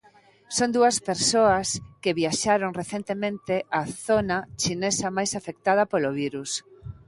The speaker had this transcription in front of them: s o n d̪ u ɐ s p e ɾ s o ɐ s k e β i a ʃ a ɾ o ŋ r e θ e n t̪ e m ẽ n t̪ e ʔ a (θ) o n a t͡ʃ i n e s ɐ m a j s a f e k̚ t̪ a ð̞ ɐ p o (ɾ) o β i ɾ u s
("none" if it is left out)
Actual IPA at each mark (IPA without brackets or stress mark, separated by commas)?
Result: θ, l